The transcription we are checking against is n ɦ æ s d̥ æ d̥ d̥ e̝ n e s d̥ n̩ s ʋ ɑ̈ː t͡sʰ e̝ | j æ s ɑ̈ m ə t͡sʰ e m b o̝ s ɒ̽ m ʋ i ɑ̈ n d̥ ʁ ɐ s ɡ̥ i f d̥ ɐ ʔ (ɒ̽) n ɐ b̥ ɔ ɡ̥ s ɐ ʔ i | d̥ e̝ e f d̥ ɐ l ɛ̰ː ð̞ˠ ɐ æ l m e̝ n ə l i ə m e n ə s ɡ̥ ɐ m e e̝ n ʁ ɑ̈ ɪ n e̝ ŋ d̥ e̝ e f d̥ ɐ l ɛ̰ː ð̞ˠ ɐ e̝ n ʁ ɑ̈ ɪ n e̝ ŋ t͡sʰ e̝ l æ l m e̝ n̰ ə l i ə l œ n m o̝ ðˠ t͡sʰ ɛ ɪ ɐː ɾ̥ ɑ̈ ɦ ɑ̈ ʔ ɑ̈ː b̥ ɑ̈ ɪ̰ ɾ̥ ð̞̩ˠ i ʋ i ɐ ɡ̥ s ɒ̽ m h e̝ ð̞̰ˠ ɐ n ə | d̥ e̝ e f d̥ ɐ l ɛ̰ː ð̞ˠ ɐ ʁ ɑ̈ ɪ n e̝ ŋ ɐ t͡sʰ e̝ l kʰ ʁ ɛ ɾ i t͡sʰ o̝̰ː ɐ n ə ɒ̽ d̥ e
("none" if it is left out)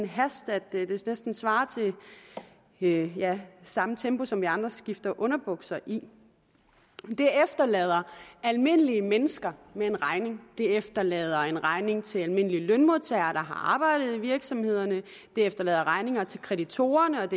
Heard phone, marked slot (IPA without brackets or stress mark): ɔ̽